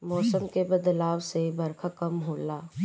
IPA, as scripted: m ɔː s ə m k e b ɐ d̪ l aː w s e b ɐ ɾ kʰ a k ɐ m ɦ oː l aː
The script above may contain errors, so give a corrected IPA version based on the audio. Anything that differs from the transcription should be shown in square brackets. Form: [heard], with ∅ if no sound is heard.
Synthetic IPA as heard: m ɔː s ə m k e b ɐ d̪ l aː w s e b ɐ ɾ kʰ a k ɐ m ɦ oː l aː